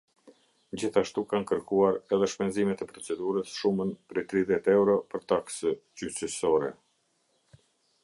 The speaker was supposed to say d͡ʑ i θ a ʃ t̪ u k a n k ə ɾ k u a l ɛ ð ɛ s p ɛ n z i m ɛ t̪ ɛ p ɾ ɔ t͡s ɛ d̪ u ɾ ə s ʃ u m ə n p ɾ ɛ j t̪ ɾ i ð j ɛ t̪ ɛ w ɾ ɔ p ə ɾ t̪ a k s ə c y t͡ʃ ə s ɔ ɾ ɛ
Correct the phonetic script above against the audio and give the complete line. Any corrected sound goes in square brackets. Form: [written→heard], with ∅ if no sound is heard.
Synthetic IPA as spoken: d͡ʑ i θ a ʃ t̪ u k a n k ə ɾ k u a [l→ɾ] ɛ ð ɛ [s→ʃ] p ɛ n z i m ɛ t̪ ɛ p ɾ ɔ t͡s ɛ d̪ u ɾ ə s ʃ u m ə n p ɾ ɛ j t̪ ɾ i ð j ɛ t̪ ɛ w ɾ ɔ p ə ɾ t̪ a k s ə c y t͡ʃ ə s ɔ ɾ ɛ